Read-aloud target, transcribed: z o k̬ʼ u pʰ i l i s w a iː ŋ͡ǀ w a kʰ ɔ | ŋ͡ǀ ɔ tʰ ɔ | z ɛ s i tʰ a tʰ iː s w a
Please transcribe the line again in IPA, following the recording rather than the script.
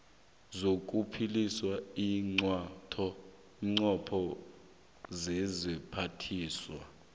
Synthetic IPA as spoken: z o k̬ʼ u pʰ i l i s w a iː ŋ͡ǀ w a tʰ ɔ | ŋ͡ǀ ɔ pʰ ɔ | z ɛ z i pʰ a tʰ iː s w a